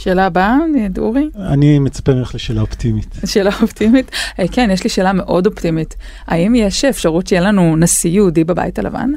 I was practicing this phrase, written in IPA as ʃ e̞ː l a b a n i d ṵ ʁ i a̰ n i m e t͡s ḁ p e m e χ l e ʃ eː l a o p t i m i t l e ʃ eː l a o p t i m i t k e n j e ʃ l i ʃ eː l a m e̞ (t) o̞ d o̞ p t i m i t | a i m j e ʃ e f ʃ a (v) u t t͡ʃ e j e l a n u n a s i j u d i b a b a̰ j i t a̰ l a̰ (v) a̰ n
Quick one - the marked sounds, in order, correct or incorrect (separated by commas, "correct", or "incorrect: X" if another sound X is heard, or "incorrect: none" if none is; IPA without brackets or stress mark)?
incorrect: ʔ, incorrect: ʁ, correct